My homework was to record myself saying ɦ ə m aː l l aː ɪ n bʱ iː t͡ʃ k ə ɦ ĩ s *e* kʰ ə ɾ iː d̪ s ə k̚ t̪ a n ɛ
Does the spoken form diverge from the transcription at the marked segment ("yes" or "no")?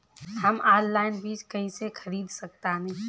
no